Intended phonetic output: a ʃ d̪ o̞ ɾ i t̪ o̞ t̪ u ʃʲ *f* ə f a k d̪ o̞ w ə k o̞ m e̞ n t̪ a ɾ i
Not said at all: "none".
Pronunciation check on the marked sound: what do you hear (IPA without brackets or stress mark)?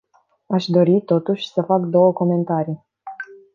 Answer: s